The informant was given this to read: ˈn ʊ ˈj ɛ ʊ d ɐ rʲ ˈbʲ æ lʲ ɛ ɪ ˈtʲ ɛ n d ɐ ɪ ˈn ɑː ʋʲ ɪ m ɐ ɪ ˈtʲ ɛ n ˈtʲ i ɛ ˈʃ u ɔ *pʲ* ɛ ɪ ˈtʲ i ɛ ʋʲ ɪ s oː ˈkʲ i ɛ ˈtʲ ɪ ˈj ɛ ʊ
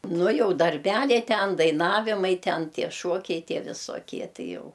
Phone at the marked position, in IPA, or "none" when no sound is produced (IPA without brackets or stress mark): kʲ